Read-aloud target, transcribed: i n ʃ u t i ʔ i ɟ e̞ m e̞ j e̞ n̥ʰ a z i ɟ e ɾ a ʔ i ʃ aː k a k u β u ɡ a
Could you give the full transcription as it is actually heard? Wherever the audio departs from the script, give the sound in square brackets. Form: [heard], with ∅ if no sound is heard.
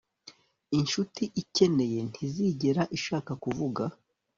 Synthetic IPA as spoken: i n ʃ u t i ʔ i [c] e̞ [n] e̞ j e̞ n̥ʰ [i] z i ɟ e ɾ a ʔ i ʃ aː k a k u [v] u ɡ a